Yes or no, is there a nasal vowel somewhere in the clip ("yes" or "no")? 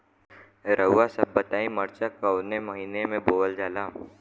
yes